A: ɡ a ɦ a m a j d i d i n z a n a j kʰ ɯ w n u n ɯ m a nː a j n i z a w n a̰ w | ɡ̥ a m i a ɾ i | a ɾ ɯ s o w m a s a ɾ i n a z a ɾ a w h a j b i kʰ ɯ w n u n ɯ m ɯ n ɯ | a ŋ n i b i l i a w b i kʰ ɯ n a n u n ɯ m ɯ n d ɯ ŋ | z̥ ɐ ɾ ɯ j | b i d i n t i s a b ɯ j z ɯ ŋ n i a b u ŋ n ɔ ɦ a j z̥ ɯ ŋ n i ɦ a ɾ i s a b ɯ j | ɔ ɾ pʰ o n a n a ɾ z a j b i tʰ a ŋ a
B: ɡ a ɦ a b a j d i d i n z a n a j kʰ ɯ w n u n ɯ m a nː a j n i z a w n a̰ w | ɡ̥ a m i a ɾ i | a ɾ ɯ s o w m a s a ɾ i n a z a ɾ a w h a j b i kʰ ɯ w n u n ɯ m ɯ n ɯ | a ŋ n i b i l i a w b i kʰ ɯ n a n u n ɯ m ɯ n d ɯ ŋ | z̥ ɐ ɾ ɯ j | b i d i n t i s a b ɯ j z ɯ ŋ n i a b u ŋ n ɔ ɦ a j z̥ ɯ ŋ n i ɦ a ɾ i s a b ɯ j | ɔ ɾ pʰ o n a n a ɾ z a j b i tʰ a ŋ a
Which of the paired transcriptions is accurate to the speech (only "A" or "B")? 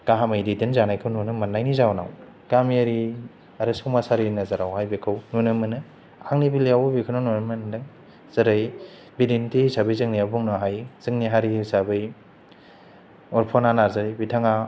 A